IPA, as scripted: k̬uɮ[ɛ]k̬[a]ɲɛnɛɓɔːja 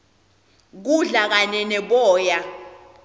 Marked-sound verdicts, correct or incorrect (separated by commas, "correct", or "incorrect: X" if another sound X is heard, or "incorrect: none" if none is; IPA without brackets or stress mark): incorrect: a, correct